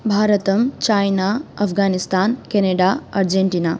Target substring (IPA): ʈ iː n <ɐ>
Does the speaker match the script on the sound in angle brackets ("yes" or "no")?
no